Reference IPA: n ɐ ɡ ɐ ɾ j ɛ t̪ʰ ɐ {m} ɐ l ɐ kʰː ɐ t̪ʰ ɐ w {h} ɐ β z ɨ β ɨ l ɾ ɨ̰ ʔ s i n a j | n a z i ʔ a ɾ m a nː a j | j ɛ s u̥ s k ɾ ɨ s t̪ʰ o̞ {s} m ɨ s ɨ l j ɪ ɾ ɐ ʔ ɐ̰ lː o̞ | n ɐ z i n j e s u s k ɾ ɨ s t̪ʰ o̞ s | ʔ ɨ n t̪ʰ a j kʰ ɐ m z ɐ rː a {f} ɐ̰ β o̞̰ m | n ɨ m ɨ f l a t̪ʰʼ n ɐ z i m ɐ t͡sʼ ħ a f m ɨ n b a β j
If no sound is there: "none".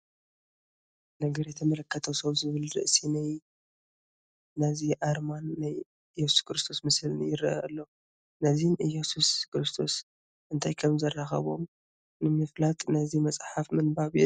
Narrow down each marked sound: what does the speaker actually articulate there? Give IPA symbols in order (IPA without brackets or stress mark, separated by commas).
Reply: m, s, s, x